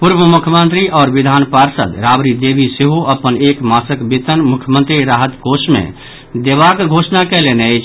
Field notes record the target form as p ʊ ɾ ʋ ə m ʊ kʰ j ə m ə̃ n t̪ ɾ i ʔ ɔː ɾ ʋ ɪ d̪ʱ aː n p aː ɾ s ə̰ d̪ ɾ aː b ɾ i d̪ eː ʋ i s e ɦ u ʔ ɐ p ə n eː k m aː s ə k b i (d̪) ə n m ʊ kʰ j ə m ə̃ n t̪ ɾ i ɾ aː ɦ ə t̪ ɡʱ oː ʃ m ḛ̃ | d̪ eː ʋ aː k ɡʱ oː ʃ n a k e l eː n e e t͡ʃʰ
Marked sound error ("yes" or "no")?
yes